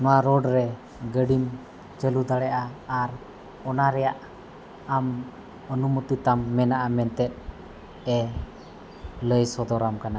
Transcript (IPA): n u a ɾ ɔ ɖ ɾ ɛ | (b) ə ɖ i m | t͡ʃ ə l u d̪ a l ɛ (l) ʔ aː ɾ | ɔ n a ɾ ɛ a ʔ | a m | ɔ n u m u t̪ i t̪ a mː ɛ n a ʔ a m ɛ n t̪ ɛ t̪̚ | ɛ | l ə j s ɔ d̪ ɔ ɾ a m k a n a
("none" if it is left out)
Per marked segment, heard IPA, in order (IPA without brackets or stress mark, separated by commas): ɡ, none